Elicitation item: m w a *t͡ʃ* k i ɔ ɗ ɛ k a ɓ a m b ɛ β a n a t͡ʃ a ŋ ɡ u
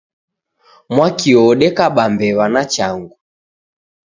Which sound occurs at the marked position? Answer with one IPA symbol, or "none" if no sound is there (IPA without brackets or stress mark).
none